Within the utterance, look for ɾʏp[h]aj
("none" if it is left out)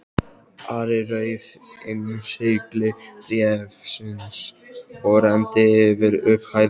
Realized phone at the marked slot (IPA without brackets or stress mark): h